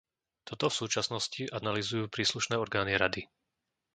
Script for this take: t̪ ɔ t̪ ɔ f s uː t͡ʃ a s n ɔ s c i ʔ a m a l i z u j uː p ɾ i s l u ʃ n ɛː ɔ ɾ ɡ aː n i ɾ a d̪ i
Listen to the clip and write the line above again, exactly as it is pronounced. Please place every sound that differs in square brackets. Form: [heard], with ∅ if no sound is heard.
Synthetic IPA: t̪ ɔ t̪ ɔ f s uː t͡ʃ a s n ɔ s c i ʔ a [n] a l i z u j uː p ɾ [iː] s l u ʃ n ɛː ɔ ɾ ɡ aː n i ɾ a d̪ i